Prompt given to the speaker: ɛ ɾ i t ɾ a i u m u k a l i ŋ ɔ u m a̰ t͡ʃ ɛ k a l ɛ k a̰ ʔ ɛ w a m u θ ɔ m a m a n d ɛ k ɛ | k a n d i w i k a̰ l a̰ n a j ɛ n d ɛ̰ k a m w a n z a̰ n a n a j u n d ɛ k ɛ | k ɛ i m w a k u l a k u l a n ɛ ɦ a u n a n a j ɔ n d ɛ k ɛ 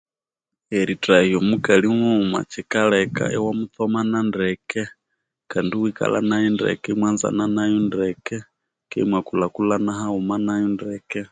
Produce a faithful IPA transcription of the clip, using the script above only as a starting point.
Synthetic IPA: ɛ ɾ i t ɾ a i ɔ m u k a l i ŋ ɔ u m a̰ t͡ʃ ɛ k a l ɛ k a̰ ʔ ɛ w a m u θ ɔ m a n a n d ɛ k ɛ | k a n d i w i k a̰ l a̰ n a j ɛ n d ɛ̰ k ɛ m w a n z a̰ n a n a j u n d ɛ k ɛ | k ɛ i m w a k u l a k u l a n a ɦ a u m a n a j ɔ n d ɛ k ɛ